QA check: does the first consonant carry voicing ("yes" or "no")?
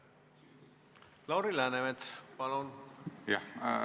yes